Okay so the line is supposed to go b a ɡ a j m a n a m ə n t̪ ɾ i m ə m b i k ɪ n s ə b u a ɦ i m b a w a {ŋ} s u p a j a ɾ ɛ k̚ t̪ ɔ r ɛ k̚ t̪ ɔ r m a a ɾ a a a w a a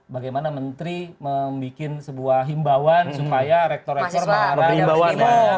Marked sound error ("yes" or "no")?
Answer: yes